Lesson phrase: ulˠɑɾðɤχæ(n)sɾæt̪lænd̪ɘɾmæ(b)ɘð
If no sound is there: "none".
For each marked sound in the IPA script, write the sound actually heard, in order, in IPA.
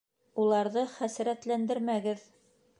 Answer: none, ɡ

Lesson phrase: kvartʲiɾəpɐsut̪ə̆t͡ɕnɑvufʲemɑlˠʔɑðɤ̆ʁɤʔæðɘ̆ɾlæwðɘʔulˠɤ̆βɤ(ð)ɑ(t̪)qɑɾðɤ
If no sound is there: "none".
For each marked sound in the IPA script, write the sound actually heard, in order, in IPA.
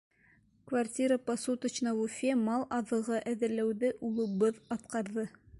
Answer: ð, t̪

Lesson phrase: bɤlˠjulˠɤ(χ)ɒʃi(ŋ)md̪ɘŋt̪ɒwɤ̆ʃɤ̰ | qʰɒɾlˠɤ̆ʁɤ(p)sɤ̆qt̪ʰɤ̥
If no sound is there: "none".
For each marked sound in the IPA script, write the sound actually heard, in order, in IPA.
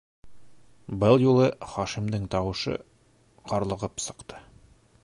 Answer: χ, none, p

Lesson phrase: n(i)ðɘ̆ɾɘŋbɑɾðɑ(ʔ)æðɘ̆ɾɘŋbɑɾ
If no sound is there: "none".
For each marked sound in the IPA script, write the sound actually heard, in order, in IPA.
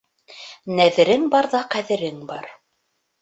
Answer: æ, q

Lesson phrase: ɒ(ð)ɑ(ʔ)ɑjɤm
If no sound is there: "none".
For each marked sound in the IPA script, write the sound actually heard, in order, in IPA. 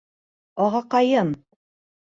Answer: ʁ, q

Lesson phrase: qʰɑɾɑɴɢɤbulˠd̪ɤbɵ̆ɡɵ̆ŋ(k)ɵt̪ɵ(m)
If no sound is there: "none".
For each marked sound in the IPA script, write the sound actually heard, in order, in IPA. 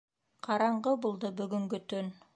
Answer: ɡ, n

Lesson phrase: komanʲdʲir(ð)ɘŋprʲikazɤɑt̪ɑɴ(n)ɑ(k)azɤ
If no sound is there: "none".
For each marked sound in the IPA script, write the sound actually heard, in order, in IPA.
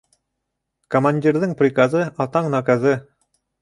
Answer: ð, n, k

